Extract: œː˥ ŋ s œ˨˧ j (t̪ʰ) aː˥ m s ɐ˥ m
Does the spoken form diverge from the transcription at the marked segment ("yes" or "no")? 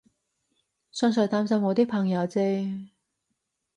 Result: yes